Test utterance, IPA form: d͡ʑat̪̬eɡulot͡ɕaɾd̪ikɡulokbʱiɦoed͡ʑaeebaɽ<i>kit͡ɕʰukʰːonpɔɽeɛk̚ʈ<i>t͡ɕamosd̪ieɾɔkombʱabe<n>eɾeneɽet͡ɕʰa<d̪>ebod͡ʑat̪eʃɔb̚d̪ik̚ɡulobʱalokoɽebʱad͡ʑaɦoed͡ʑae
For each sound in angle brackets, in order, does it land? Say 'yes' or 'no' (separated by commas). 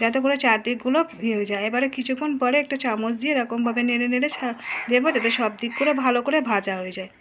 no, no, yes, yes